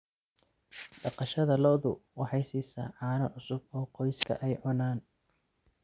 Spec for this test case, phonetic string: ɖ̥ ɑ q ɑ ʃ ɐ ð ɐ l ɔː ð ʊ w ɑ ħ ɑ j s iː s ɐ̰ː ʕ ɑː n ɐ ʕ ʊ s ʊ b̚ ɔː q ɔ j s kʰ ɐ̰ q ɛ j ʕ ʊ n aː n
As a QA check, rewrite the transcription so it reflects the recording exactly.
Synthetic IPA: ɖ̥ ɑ q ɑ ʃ ɐ ð ɐ l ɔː ð ʊ w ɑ ħ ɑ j s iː s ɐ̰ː ʕ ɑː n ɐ ʕ ʊ s ʊ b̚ ɔː q ɔ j s kʰ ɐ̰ ʔ ɛ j ʕ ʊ n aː n